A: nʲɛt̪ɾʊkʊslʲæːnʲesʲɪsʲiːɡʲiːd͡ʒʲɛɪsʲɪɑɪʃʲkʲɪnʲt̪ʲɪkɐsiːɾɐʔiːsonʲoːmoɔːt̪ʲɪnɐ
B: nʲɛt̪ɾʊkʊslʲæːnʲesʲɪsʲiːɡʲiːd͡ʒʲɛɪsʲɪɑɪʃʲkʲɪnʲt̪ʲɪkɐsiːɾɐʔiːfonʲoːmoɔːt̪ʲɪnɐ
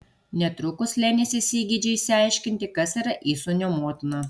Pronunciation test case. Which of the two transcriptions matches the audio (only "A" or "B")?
A